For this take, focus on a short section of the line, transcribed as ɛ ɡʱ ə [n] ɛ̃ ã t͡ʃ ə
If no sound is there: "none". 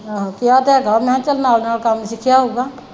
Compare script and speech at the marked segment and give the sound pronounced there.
m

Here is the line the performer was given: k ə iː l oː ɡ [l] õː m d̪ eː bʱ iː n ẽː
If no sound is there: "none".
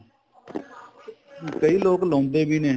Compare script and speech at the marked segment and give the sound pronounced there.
l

